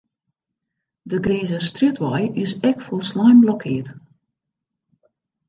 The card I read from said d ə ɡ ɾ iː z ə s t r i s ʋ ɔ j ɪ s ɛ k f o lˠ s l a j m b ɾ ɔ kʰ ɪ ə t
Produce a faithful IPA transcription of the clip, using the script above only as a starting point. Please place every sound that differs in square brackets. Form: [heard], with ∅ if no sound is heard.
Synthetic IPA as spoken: d ə ɡ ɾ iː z ə s t r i [t] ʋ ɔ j ɪ s ɛ k f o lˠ s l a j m b [l] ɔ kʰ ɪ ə t